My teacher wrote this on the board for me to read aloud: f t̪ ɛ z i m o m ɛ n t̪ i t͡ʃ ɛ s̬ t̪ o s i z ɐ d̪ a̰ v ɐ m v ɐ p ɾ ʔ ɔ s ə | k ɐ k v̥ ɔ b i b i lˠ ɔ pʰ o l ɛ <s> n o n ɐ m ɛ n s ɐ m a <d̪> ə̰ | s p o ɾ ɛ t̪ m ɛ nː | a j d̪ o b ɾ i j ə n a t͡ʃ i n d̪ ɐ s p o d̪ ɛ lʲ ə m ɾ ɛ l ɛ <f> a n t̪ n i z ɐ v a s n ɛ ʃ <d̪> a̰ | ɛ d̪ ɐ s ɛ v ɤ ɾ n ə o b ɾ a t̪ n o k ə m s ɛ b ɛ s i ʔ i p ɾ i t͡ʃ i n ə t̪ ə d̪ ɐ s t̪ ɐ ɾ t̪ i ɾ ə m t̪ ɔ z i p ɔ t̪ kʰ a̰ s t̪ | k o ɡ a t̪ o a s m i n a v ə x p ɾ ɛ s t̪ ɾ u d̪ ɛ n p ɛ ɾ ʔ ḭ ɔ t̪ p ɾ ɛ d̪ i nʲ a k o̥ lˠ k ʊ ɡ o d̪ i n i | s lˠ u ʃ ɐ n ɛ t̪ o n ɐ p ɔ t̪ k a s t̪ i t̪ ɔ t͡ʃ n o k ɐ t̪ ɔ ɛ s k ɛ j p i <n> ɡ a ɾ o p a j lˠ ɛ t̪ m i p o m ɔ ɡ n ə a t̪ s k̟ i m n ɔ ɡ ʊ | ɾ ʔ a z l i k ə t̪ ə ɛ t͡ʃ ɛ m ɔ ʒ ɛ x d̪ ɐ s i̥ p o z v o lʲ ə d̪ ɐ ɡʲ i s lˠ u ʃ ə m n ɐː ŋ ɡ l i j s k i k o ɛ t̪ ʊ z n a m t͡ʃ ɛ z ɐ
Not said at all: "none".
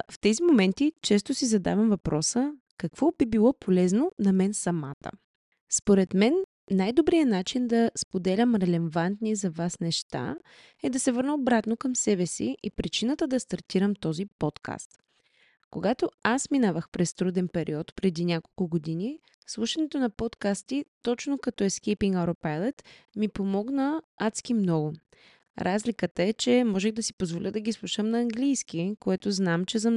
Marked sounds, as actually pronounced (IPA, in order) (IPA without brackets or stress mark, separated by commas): z, t̪, v, t̪, ŋ